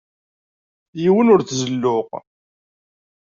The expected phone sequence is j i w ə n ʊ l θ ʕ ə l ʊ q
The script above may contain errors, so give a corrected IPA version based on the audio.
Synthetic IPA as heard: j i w ə n ʊ ɾ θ z ə lː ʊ q